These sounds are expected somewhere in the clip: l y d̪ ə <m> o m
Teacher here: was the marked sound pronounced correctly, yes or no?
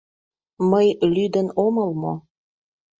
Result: no